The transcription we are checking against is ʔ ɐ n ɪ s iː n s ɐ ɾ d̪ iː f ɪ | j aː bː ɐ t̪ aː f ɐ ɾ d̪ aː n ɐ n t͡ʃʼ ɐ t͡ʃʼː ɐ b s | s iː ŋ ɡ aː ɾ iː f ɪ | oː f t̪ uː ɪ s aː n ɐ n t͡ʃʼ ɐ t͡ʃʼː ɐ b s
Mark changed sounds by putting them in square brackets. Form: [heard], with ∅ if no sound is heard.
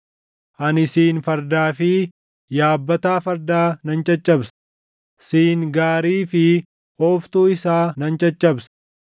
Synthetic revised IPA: ʔ ɐ n ɪ s iː n [f] ɐ ɾ d̪ [aː] f ɪ | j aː bː ɐ t̪ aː f ɐ ɾ d̪ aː n ɐ n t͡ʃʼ ɐ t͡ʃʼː ɐ b s | s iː ŋ ɡ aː ɾ iː f ɪ | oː f t̪ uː ɪ s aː n ɐ n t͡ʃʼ ɐ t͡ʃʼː ɐ b s